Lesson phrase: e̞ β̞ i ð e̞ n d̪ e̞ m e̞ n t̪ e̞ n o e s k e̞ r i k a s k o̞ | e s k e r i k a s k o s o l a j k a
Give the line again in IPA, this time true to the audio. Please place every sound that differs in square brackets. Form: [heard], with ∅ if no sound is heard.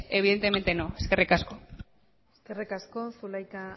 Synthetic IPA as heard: e̞ β̞ i ð e̞ n [t̪] e̞ m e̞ n t̪ e̞ n o e s k e̞ r i k a s k o̞ | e s k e r i k a s k o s [u] l a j k a